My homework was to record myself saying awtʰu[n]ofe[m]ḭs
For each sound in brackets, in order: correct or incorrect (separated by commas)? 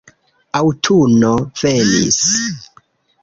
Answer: correct, incorrect